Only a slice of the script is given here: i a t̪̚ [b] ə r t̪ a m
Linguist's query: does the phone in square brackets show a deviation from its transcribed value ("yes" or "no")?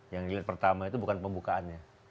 yes